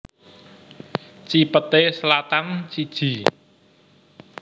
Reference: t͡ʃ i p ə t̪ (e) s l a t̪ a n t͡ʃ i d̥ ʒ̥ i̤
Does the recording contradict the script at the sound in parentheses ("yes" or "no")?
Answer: no